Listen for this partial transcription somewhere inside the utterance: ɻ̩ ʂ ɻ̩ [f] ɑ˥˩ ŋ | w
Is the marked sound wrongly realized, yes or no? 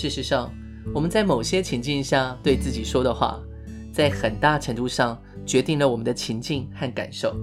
yes